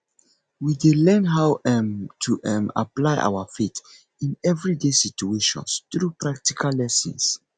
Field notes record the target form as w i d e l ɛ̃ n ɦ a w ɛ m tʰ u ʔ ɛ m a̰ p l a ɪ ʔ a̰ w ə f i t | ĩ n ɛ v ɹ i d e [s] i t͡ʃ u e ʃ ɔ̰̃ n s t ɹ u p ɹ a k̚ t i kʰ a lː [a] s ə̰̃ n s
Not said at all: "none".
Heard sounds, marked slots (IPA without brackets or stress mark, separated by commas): s, ɛ